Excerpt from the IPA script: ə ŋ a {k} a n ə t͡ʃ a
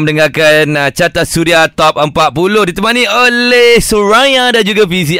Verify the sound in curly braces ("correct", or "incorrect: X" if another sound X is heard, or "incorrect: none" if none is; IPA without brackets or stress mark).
correct